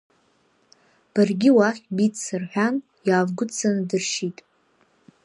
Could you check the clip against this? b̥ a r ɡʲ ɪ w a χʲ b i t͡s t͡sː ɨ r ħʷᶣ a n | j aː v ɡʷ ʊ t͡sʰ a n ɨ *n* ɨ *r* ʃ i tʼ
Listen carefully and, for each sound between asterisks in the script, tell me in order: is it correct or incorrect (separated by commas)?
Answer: incorrect, correct